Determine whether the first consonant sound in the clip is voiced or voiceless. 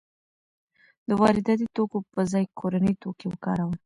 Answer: voiced